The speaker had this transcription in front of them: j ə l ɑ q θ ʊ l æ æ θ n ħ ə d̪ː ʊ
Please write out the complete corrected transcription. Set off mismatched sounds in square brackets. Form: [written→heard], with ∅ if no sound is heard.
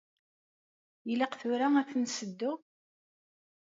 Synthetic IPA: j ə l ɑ q θ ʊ [l→ɾ] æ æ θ n [ħ→s] ə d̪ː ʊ